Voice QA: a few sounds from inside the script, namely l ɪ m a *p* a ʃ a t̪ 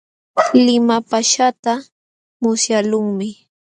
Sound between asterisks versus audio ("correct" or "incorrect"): correct